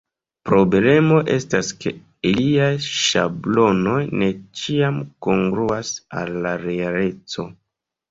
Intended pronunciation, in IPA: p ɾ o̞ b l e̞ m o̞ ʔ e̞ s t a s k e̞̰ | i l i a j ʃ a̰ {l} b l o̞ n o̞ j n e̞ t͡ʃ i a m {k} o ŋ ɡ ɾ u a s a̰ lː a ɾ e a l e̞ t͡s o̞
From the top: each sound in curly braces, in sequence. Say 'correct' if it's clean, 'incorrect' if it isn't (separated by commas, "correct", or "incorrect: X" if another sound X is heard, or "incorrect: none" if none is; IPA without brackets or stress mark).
incorrect: none, correct